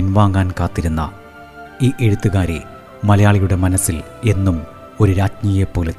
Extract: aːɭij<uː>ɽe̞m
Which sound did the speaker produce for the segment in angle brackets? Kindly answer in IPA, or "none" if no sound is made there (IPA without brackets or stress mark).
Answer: u